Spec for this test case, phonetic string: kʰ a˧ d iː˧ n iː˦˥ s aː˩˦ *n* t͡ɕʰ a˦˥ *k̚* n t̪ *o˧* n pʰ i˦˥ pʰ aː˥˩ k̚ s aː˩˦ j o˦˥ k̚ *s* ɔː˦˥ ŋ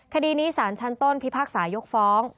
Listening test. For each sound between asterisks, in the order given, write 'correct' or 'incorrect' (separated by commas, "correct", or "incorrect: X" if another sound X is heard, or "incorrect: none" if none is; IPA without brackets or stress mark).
correct, incorrect: none, incorrect: o˥˩, incorrect: f